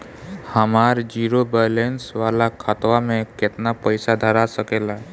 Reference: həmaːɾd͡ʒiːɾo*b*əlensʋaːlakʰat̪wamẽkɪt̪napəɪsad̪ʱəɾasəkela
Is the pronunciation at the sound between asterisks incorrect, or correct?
correct